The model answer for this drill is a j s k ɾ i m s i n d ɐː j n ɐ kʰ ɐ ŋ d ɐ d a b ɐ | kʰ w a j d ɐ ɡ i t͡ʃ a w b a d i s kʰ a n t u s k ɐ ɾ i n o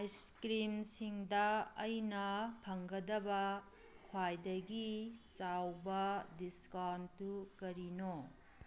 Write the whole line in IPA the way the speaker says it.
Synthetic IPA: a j s k ɾ i m s i ŋ d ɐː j n ɐ pʰ ɐ ŋ ɡ ɐ d ɐ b ɐ | kʰ w a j d ɐ ɡ i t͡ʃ a w b ɐ d i s k a n t u k ɐ ɾ i n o